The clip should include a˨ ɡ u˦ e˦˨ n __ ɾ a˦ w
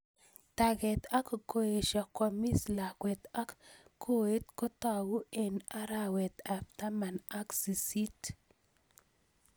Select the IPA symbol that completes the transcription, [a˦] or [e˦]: a˦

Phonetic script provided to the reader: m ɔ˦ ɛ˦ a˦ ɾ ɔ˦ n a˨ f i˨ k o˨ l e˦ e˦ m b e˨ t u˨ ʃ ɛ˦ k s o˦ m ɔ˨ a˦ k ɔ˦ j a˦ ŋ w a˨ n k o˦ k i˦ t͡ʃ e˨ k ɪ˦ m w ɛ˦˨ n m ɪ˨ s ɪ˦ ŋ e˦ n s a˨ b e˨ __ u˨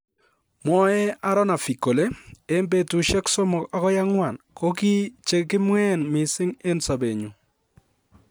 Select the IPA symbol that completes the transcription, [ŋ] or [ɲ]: ɲ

